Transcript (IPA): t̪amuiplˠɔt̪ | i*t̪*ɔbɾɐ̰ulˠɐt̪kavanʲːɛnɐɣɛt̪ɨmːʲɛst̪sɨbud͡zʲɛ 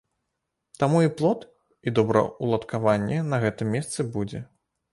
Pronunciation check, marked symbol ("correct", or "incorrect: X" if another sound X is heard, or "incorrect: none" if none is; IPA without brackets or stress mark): incorrect: d̪